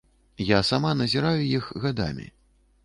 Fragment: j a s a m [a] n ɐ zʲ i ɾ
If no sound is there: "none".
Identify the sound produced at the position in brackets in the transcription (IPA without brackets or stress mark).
a